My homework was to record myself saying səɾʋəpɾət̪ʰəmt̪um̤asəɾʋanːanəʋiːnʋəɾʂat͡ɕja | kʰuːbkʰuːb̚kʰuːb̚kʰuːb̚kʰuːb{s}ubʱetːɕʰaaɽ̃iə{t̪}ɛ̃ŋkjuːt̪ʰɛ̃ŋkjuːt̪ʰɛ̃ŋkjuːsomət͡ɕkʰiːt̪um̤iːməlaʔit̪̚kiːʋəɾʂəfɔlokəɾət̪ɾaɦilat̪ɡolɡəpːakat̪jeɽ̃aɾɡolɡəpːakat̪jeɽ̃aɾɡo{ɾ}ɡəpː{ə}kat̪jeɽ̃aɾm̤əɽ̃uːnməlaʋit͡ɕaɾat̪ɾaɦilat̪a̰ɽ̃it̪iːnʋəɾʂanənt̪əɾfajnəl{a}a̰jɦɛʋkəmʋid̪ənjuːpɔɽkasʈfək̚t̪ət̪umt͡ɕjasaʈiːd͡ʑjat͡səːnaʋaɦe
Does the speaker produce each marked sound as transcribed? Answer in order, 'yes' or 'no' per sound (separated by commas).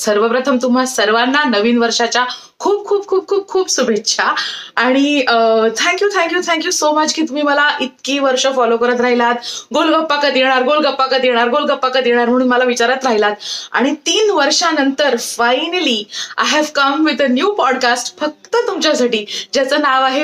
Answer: yes, no, no, no, no